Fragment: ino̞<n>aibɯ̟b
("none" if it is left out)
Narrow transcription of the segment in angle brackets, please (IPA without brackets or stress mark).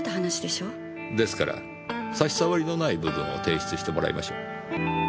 n